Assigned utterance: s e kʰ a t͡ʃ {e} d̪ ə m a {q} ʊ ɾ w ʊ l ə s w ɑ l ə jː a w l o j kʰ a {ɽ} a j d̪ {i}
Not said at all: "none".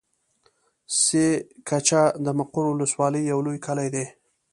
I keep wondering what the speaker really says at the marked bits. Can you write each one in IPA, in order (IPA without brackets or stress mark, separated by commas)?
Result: a, q, l, e